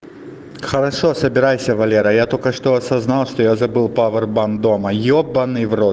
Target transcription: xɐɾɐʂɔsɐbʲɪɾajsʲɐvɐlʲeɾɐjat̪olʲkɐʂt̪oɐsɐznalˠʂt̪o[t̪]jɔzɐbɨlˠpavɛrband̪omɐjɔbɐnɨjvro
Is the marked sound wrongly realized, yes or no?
yes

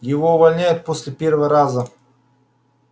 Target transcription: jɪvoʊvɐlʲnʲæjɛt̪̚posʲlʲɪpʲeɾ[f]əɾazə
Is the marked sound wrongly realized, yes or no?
yes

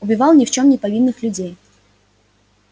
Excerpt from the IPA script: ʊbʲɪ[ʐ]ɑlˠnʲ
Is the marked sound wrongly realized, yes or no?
yes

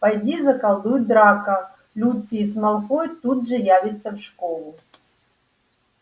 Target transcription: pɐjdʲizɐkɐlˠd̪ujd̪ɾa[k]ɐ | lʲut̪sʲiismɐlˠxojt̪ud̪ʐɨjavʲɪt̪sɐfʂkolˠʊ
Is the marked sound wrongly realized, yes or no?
no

